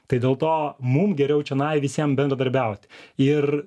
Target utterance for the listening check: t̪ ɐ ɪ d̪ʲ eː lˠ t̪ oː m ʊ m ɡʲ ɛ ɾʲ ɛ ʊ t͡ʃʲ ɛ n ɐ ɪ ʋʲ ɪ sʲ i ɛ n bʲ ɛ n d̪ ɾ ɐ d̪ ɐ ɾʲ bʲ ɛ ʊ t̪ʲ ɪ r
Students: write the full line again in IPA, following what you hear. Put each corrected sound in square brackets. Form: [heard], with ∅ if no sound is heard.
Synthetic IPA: t̪ ɐ ɪ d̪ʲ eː lˠ t̪ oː m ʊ m ɡʲ ɛ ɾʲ ɛ ʊ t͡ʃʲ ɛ n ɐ ɪ ʋʲ ɪ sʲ i ɛ [m] bʲ ɛ n d̪ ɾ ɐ d̪ ɐ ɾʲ bʲ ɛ ʊ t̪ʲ ɪ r